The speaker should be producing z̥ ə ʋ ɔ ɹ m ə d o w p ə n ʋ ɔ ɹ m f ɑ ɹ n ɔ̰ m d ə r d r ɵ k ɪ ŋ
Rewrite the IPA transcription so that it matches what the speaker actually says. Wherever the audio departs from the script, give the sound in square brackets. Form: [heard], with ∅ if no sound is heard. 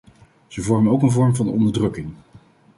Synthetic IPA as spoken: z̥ ə [v] ɔ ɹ m ə [n] o w [k] ə n [v] ɔ ɹ m [v] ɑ [∅] n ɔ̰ [n] d ə [ɹ] d r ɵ k ɪ ŋ